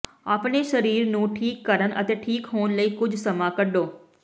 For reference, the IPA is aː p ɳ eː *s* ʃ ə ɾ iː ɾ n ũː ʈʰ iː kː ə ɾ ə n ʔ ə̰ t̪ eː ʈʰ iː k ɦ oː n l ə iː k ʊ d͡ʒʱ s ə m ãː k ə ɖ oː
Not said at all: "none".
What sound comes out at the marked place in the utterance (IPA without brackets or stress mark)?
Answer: none